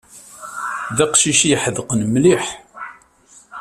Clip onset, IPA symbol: ð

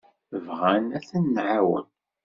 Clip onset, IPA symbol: v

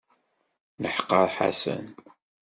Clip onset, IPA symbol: n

